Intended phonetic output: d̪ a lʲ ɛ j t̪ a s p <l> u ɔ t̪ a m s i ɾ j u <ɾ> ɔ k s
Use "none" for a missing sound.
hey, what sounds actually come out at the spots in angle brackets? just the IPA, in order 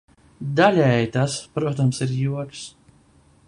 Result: ɾ, none

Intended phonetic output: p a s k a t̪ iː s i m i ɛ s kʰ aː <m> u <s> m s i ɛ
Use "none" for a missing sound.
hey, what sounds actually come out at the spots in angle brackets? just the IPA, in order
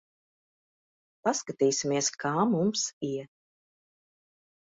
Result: m, none

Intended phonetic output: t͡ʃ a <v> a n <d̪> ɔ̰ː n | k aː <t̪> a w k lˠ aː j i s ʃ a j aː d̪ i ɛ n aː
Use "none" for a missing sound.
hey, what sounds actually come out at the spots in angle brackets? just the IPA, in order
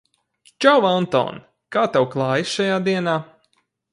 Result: w, t̪, t̪

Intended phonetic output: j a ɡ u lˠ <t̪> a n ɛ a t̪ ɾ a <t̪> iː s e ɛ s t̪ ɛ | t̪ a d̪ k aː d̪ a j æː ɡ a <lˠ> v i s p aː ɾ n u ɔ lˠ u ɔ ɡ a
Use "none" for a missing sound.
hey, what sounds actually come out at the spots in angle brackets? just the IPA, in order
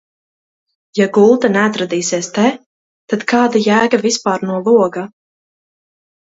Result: t̪, d̪, none

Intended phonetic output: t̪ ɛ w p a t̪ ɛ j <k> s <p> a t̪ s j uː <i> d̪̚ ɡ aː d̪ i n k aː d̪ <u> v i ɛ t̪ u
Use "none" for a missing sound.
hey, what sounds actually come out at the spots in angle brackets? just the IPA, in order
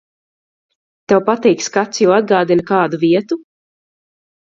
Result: k, k, a, u

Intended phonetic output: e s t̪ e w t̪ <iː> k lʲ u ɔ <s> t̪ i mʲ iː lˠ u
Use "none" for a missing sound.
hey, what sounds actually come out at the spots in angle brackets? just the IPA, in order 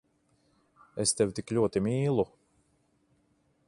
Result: i, none

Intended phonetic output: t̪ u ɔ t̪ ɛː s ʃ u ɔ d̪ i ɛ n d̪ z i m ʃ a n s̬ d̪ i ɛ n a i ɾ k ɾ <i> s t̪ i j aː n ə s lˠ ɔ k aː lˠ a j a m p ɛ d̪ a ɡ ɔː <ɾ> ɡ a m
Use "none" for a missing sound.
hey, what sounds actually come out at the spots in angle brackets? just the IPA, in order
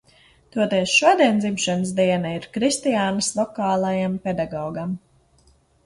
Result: i, none

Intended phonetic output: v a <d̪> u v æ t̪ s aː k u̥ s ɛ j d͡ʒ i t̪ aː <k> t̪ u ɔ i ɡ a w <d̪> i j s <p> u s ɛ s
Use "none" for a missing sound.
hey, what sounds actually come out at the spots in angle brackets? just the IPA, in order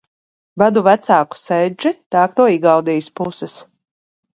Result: d̪, k, d̪, p

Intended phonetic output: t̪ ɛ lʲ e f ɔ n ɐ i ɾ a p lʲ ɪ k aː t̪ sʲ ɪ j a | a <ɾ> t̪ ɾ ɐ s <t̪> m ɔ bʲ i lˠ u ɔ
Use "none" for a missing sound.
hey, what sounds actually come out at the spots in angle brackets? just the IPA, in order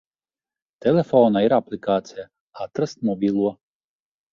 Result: none, t̪

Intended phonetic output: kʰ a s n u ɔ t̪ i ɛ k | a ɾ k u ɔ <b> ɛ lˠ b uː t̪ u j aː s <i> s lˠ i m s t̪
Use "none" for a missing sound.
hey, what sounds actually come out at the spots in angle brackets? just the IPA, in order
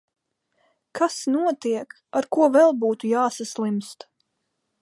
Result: v, a

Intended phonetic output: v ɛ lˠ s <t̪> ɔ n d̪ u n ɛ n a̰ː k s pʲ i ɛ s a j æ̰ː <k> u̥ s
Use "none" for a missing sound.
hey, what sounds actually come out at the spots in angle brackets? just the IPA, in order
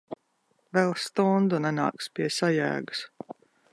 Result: t̪, ɡ

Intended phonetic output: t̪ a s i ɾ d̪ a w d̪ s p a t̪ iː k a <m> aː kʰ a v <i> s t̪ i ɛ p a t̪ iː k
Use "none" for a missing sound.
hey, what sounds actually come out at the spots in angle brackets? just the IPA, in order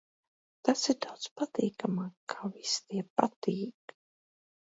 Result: m, i

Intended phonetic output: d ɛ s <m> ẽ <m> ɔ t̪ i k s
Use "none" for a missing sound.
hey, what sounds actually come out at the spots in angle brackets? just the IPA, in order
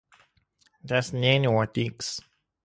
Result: n, n

